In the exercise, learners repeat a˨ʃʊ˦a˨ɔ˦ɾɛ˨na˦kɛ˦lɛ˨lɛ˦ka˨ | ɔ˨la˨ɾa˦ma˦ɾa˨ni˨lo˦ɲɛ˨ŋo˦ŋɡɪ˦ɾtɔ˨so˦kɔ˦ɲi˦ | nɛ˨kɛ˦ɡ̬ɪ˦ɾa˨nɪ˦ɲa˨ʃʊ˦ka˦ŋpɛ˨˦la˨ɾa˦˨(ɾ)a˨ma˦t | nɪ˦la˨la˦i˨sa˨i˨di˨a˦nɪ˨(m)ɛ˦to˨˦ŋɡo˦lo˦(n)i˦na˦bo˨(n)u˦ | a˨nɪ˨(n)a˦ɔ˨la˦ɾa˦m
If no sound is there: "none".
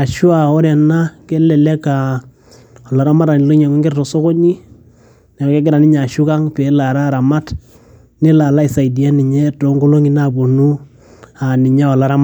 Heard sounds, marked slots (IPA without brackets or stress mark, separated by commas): ɾ, ɲ, ŋ, n, ɲ